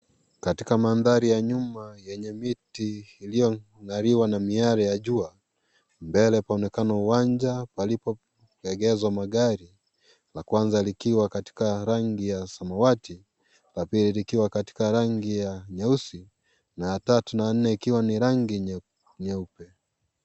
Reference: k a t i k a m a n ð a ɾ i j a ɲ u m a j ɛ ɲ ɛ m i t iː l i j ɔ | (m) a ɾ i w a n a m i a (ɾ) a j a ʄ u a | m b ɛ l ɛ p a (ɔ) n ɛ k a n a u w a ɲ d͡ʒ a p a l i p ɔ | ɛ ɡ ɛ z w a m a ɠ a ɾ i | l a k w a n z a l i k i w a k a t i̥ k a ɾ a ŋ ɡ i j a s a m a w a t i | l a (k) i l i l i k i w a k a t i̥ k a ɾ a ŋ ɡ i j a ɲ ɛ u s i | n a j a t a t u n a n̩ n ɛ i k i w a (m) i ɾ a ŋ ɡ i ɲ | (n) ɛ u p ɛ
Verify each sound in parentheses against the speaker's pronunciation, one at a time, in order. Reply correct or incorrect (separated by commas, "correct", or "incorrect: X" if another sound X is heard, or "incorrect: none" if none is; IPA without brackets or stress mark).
incorrect: ŋ, correct, correct, incorrect: p, incorrect: n, incorrect: ɲ